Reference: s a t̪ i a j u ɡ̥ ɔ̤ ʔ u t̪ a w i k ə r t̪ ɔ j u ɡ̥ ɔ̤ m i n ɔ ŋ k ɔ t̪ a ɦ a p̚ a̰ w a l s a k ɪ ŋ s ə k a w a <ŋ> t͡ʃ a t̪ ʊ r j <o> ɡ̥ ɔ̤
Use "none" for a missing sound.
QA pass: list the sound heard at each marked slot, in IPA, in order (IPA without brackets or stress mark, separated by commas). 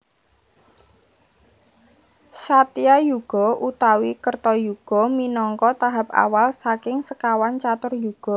n, u